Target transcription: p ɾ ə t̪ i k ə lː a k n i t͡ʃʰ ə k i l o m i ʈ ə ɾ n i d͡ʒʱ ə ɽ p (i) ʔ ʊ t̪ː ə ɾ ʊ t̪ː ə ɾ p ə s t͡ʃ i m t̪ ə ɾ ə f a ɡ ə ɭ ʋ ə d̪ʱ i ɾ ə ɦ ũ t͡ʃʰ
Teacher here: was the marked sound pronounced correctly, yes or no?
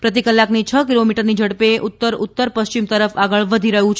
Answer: no